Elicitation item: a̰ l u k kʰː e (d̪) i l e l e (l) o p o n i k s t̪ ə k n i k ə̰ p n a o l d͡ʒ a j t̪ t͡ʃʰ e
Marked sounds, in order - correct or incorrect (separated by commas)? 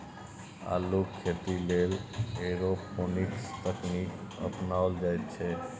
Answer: incorrect, incorrect